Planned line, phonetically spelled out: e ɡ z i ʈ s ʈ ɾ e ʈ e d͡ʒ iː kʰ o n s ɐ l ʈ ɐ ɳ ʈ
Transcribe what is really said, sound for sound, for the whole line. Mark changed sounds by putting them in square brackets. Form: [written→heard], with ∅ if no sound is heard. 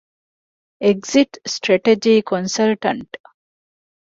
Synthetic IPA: e ɡ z i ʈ s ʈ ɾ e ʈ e d͡ʒ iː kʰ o n s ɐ l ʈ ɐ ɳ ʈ